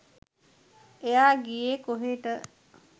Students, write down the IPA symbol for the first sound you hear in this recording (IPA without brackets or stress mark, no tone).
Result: e